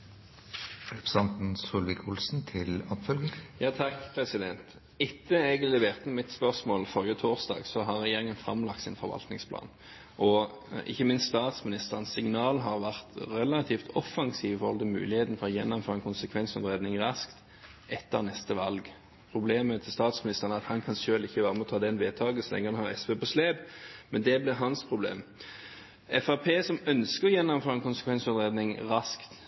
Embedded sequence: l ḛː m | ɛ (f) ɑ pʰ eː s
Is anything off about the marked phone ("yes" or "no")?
no